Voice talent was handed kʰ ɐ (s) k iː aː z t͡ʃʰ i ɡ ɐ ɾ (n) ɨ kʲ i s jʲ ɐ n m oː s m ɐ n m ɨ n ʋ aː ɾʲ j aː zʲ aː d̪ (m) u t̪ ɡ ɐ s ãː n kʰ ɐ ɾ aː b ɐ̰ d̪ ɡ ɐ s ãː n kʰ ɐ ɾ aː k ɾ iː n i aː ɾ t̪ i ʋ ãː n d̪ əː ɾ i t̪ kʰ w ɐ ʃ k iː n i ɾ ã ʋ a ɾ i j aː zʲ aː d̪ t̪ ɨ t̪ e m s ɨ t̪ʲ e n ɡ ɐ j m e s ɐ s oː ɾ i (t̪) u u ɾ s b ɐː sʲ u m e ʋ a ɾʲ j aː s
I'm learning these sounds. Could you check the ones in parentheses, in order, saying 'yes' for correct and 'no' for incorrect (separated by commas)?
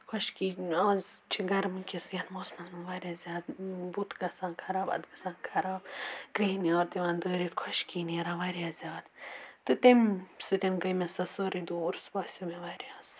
no, no, no, no